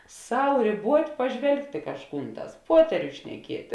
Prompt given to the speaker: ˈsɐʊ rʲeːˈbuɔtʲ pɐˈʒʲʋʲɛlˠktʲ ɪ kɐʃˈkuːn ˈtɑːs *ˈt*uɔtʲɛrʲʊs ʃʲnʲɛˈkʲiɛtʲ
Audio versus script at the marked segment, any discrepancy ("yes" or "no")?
yes